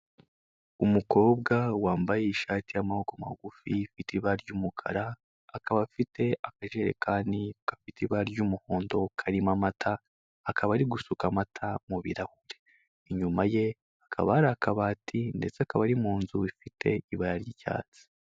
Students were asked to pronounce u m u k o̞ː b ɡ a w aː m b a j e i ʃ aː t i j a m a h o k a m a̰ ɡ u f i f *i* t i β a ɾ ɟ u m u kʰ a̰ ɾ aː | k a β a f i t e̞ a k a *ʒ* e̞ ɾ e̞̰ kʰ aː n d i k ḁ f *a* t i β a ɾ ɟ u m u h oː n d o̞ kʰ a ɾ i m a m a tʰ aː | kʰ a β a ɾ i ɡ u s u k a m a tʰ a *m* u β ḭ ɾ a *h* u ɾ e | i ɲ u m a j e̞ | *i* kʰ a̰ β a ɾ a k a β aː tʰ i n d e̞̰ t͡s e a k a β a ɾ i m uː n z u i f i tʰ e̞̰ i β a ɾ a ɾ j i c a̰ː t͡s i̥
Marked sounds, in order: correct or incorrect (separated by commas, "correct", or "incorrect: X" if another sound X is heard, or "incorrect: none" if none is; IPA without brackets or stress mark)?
correct, correct, incorrect: i, correct, correct, incorrect: a